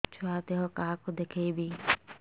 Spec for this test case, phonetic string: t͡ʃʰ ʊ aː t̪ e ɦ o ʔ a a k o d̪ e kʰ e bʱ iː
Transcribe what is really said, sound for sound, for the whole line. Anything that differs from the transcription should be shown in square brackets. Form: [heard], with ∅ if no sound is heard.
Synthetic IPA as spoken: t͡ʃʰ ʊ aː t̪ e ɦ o [k] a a k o d̪ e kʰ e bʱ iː